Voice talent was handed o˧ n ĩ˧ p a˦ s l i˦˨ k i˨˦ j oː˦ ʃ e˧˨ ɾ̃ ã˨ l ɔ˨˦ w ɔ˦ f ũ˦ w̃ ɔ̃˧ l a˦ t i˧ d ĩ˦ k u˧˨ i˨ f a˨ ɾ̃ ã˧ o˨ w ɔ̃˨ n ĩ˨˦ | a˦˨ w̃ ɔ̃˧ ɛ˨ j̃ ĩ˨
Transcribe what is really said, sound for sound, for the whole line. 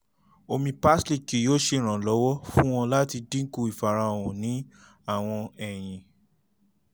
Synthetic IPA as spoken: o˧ m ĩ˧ p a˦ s l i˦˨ k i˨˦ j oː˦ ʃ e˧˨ ɾ̃ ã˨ l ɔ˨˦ w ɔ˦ f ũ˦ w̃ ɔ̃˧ l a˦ t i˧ d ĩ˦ k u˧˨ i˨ f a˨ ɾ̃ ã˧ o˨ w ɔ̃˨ n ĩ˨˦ | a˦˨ w̃ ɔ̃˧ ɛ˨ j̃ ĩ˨